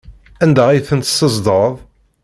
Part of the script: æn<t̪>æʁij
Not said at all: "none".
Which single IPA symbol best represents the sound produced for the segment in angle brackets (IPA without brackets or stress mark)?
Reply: d̪